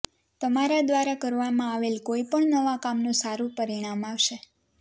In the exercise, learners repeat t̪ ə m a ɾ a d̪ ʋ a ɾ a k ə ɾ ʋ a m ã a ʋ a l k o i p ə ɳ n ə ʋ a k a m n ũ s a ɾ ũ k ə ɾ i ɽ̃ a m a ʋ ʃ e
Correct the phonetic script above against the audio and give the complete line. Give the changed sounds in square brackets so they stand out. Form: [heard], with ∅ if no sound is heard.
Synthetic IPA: t̪ ə m a ɾ a d̪ ʋ a ɾ a k ə ɾ ʋ a m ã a ʋ [e] l k o i p ə ɳ n ə ʋ a k a m n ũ s a ɾ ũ [p] ə ɾ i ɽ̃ a m a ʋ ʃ e